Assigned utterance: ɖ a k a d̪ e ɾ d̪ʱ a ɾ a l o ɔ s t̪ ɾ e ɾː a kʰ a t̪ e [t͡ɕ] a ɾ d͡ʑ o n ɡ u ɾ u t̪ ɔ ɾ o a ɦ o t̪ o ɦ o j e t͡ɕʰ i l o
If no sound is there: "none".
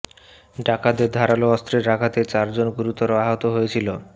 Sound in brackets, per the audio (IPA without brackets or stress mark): t͡ɕ